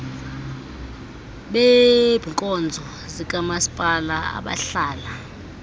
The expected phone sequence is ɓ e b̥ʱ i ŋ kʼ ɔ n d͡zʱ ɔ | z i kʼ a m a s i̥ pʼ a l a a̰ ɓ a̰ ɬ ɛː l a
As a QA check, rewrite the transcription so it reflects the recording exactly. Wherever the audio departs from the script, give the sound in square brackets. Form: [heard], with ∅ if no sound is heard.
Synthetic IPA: ɓ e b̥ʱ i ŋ kʼ ɔ n d͡zʱ ɔ | z i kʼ a m a s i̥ pʼ a l a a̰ ɓ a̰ ɬ [aː] l a